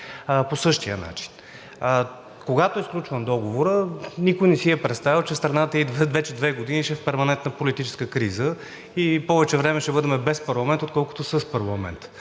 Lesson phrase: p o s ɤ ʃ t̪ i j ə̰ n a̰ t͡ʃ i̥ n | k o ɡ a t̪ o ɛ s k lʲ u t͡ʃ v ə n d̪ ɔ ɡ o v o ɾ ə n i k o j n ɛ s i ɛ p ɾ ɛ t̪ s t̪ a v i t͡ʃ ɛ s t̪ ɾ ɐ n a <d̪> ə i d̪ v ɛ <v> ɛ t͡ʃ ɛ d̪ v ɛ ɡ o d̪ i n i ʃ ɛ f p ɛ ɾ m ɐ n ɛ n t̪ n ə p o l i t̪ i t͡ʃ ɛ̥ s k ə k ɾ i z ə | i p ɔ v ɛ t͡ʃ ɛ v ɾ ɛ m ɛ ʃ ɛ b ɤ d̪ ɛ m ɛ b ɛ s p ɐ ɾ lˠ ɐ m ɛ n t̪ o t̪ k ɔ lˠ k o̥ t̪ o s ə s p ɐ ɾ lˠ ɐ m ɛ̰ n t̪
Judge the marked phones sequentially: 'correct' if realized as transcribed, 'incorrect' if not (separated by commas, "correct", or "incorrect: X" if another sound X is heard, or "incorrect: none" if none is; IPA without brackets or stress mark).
incorrect: t̪, correct